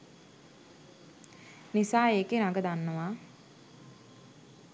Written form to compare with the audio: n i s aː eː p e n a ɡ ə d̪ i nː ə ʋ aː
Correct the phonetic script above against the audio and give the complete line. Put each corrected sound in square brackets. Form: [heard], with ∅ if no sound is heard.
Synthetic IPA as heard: n i s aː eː [k] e n a ɡ ə d̪ [a] nː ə ʋ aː